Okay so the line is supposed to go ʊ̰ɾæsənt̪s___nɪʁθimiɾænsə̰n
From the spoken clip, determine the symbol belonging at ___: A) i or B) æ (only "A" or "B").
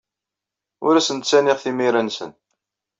B